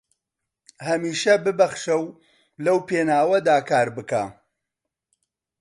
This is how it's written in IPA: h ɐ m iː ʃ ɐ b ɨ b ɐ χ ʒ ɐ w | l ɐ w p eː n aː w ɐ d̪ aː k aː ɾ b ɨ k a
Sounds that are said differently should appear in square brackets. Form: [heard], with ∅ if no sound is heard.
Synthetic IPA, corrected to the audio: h ɐ m iː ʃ ɐ b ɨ b ɐ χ [ʃ] ɐ w | l ɐ w p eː n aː w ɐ d̪ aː k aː ɾ b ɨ k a